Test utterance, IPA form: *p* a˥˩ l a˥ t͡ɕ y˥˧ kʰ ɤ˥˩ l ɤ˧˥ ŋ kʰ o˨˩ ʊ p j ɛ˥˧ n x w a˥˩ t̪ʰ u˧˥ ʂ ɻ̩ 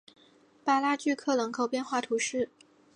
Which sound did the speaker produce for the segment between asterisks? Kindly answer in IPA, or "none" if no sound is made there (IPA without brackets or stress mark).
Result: p